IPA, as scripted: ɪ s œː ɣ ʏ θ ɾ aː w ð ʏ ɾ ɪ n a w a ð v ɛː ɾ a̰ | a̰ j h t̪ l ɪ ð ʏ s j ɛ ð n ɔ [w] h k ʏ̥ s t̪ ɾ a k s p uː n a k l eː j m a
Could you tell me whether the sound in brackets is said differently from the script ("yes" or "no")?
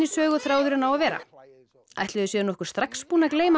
yes